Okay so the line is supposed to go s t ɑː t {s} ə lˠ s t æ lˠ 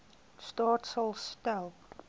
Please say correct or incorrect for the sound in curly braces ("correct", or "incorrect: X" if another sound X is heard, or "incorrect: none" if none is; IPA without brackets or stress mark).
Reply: correct